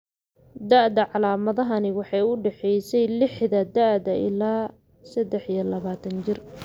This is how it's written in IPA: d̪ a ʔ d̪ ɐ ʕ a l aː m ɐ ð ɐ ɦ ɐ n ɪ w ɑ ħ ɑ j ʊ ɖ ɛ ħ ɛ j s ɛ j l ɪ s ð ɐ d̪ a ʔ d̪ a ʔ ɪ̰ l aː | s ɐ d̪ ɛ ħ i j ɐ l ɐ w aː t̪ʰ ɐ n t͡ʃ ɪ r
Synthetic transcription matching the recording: d̪ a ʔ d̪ ɐ ʕ ɑ l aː m ɐ ð ɐ ɦ ɐ n ɪ w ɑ ħ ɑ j ʊ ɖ ɛ ħ ɛ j s ɛ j l ɪ ħ ð ɐ d̪ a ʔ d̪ ɐ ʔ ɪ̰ l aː | s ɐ d̪ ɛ ħ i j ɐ l ɐ β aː t̪ʰ ɐ n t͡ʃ ɪ r